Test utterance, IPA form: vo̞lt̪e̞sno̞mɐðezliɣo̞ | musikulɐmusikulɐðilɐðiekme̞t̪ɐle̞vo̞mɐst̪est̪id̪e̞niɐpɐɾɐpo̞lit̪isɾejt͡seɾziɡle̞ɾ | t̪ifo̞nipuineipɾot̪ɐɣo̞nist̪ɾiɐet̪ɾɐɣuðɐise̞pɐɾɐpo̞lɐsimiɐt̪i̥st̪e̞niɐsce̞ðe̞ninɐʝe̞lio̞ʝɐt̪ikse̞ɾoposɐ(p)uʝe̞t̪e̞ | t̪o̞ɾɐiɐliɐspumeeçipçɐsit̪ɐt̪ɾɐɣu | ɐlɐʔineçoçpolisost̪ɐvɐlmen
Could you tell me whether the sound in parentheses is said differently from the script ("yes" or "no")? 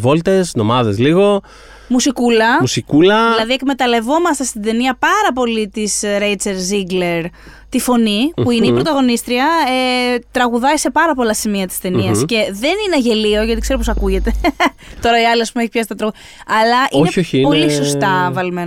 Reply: yes